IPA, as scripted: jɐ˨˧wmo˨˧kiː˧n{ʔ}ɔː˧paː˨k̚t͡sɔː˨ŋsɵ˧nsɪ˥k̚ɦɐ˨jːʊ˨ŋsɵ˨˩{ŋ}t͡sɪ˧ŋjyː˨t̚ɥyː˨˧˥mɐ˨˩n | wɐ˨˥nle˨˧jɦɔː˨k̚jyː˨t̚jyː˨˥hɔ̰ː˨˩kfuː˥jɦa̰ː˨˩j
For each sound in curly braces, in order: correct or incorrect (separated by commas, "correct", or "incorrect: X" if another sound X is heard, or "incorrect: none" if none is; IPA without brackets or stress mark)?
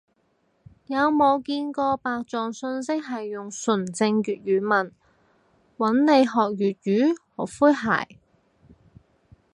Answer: incorrect: k, incorrect: n